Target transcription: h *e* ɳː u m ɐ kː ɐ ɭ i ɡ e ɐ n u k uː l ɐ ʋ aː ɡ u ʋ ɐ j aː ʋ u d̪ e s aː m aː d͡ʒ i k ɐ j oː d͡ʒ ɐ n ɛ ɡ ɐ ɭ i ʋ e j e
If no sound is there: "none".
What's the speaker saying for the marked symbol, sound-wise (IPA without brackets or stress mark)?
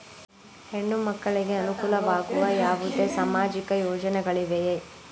e